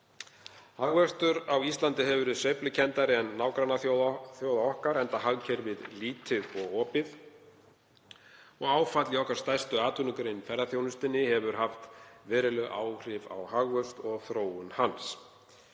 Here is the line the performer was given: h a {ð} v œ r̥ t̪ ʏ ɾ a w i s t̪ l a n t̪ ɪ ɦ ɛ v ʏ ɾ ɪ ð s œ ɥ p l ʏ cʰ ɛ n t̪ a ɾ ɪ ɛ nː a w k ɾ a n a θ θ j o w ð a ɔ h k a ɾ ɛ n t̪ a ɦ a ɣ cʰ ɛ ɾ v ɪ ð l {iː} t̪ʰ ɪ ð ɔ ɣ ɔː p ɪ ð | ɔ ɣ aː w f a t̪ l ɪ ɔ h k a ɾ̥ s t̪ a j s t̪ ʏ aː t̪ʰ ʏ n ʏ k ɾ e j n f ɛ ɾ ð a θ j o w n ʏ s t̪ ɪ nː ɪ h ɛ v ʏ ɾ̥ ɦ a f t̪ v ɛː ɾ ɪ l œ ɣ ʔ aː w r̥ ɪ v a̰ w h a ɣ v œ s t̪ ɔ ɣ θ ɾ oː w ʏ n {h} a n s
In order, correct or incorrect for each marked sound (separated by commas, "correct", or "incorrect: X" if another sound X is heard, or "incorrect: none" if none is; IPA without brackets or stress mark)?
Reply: incorrect: ɣ, correct, correct